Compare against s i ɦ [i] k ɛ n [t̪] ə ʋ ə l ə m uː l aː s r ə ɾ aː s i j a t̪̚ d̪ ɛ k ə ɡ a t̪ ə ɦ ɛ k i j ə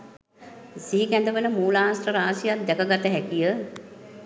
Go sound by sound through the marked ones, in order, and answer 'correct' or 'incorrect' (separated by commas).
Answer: correct, incorrect